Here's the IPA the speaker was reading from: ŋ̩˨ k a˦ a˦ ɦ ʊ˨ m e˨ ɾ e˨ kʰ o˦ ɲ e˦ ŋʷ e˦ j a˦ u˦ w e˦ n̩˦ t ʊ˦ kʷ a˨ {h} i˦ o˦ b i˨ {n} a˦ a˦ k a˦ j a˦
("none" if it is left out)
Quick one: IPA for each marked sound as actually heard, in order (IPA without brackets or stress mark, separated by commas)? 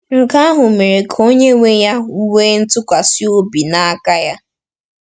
s, n